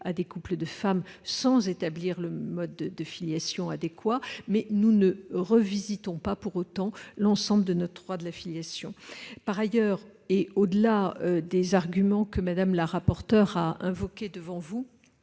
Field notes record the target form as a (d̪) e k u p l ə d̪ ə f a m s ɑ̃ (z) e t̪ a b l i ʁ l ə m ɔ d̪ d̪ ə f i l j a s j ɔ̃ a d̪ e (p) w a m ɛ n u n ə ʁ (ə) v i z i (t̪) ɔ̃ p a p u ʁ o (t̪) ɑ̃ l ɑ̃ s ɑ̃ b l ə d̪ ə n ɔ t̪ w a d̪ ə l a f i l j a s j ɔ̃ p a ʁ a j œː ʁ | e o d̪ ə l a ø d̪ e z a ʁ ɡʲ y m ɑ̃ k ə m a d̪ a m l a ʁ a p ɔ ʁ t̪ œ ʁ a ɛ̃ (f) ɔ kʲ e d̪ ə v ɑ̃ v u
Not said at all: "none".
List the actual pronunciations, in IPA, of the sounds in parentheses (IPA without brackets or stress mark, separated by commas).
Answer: d̪, z, k, ə, t̪, t̪, v